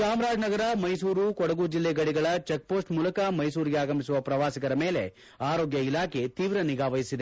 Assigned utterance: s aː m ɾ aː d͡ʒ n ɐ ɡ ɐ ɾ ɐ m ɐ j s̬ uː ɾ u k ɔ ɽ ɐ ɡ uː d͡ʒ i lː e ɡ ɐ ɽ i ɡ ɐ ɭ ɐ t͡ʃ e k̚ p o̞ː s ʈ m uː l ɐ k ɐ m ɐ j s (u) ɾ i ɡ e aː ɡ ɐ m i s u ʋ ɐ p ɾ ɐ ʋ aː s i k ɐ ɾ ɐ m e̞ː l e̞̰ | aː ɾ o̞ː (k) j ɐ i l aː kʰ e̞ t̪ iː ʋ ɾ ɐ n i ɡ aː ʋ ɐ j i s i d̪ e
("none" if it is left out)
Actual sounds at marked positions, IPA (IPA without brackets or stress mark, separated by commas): uː, ɡ